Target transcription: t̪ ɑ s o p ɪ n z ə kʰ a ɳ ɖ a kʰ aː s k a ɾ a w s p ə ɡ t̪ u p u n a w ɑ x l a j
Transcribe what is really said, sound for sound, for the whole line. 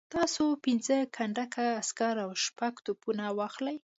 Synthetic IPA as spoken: t̪ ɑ s o p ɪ n z ə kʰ a ɳ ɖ a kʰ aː s k a ɾ a w ʃ p a ɡ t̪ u p u n a w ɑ x l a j